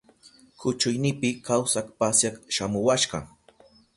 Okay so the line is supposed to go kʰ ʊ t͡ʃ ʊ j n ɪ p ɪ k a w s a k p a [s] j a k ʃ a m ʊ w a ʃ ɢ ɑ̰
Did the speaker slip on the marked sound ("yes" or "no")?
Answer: no